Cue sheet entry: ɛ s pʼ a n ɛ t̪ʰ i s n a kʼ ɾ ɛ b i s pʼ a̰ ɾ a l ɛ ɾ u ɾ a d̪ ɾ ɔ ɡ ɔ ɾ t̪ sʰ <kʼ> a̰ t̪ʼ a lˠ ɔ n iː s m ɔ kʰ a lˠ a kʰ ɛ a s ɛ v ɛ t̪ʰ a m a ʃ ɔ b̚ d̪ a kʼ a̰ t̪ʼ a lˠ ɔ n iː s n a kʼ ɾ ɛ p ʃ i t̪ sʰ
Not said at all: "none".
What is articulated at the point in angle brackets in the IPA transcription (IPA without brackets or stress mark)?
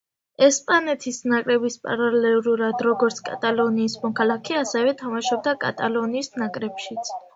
kʼ